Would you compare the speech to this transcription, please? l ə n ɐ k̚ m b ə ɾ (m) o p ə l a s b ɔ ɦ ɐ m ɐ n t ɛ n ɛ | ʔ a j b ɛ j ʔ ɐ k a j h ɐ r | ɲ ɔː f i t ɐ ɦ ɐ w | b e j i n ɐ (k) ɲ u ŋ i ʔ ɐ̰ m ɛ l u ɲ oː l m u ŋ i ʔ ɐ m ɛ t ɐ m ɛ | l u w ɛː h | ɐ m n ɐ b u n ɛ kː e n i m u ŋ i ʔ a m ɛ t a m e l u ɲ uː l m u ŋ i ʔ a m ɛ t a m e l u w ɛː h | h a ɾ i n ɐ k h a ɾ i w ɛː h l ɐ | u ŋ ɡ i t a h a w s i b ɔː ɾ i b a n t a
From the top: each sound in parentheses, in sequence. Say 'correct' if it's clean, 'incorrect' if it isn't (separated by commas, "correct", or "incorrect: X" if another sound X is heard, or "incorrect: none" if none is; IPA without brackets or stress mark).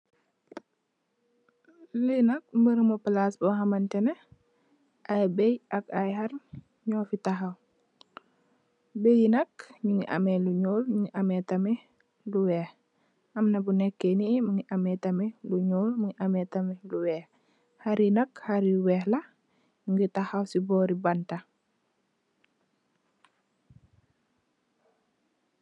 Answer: correct, correct